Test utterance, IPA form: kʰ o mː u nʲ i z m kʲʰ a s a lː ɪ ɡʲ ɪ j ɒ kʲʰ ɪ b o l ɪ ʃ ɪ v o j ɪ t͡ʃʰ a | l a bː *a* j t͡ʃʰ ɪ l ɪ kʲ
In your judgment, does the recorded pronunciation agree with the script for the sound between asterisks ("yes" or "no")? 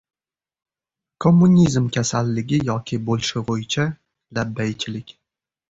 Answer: yes